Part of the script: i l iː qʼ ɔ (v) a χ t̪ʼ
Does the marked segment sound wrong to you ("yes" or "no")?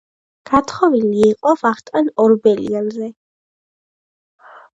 no